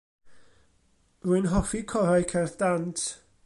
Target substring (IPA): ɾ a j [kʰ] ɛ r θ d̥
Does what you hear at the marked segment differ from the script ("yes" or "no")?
no